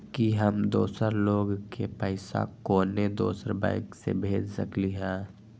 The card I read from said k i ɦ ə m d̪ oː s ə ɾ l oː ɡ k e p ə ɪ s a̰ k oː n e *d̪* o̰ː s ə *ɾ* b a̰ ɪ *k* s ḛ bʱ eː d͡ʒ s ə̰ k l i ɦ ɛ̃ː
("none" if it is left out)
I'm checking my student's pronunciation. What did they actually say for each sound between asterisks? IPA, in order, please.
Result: d̪, ɾ, k

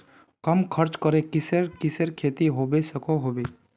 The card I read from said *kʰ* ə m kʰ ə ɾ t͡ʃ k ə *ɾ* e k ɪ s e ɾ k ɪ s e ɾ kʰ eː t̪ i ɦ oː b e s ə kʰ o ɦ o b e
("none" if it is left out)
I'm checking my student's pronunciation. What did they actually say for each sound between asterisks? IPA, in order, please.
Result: k, ɾ

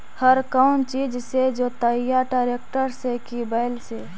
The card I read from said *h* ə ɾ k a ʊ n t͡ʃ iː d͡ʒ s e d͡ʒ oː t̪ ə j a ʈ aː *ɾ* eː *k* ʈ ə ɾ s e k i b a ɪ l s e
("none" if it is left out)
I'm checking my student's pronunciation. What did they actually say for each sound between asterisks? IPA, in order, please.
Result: h, ɾ, k

